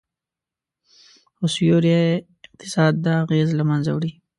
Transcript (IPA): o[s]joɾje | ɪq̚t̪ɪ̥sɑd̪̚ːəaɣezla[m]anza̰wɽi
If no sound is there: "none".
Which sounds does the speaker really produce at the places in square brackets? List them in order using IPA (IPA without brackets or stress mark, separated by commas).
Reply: s, m